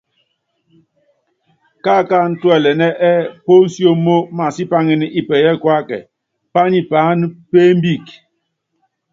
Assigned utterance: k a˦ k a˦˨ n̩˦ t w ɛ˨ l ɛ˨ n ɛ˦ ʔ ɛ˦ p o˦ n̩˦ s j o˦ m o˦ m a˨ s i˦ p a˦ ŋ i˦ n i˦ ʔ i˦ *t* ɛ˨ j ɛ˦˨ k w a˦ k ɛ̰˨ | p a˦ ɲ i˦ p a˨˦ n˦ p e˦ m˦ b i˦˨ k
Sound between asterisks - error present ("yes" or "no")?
yes